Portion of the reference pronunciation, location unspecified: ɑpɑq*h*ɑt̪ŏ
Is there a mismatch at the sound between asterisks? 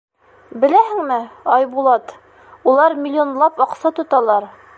yes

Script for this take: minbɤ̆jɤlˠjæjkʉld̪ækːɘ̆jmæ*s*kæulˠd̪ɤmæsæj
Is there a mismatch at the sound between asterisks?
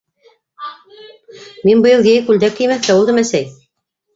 yes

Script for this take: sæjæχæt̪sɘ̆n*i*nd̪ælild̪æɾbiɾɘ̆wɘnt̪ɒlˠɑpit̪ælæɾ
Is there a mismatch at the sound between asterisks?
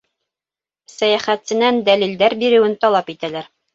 yes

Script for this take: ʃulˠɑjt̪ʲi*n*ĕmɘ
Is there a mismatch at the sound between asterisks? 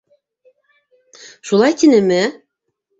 no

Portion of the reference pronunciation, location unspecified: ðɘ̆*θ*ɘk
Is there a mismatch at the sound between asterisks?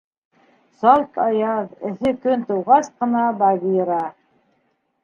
no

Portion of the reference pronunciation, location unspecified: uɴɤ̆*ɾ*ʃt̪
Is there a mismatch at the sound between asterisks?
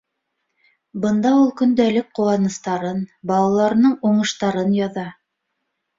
yes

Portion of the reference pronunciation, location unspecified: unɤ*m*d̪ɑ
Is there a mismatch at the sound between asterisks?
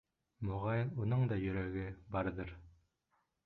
yes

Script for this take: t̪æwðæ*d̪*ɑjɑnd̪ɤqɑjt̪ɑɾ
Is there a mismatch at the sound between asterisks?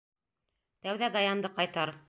no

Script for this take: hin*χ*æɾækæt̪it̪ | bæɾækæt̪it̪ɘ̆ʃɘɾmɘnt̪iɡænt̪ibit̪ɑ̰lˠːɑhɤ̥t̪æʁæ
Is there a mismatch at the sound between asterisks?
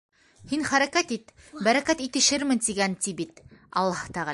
no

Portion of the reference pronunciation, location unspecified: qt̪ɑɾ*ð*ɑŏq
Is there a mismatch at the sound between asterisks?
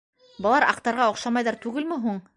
yes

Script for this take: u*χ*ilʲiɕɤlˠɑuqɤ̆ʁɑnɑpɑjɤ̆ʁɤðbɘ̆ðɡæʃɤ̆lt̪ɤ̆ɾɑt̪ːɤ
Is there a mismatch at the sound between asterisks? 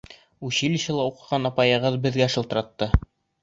yes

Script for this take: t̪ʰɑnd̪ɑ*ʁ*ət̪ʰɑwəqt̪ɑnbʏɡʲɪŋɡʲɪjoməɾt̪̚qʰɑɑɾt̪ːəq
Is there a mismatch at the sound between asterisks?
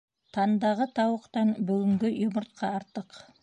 no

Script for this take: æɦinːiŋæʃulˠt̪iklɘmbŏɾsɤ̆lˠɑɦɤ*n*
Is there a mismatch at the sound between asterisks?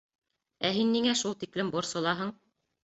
yes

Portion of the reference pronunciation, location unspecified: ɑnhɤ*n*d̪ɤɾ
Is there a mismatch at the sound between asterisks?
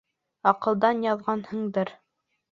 yes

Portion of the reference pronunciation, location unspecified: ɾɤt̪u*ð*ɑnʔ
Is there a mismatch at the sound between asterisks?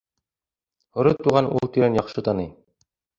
yes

